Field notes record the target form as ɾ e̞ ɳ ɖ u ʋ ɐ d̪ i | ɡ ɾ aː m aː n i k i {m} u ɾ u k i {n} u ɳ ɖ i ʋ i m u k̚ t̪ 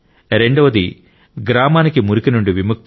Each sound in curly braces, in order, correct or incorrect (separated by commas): correct, correct